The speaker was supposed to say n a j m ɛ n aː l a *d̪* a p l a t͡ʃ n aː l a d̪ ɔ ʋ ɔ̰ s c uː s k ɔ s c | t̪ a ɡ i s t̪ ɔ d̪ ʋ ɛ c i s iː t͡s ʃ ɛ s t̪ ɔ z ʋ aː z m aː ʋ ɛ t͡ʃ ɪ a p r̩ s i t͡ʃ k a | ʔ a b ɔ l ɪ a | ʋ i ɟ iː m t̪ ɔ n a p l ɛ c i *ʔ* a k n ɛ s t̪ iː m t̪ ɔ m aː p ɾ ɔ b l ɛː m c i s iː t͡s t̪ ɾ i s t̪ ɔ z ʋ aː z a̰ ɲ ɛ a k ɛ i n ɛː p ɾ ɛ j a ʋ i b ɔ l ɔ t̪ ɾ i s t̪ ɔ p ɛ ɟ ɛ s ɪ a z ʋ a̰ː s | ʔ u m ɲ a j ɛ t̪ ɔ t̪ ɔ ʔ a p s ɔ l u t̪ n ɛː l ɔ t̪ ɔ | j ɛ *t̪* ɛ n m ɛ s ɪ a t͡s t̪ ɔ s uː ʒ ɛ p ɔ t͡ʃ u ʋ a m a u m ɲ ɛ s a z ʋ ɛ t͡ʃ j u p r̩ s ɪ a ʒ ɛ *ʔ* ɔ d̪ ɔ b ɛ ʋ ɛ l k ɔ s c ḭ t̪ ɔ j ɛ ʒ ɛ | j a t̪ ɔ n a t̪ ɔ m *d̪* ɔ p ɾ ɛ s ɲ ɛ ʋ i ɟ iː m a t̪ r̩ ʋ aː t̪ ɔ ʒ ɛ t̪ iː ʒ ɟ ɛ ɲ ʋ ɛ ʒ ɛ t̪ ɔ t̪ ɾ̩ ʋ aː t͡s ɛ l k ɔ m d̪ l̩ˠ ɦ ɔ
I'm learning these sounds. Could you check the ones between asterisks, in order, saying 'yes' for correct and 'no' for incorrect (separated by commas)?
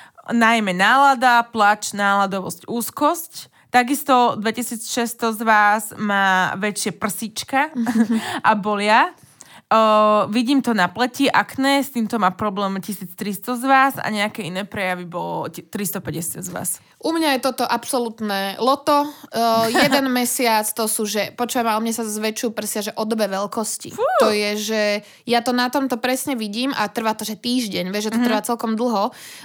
yes, yes, no, yes, no